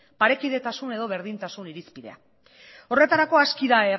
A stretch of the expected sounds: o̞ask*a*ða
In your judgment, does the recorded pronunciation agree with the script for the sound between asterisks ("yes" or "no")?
no